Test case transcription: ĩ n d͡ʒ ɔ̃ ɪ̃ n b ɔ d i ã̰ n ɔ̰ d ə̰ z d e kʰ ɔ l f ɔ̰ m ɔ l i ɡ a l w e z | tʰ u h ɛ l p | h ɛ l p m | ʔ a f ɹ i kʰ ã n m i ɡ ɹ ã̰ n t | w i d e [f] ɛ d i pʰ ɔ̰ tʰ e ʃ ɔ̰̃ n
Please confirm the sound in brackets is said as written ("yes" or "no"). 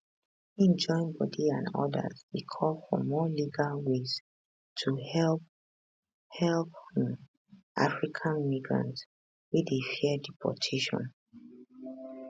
yes